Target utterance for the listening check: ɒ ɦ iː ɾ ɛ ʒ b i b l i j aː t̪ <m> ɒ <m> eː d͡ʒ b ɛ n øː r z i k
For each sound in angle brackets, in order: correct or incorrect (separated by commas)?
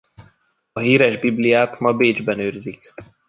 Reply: correct, incorrect